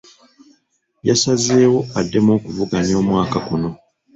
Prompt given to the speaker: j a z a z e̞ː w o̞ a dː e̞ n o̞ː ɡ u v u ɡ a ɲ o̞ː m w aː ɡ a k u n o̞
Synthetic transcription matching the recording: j a s a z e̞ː w o̞ a dː e̞ m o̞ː k u v u ɡ a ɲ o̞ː m w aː k a k u n o̞